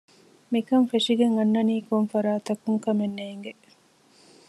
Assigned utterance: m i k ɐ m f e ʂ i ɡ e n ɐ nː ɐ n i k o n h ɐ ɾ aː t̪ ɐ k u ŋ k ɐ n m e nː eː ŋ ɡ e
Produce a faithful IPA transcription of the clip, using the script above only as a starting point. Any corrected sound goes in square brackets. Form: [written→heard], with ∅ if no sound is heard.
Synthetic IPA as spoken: m i k ɐ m f e ʂ i ɡ e [n→ŋ] ɐ nː ɐ n [i→iː] k o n [h→f] ɐ ɾ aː t̪ ɐ k u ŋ k ɐ [n→∅] m e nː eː ŋ ɡ e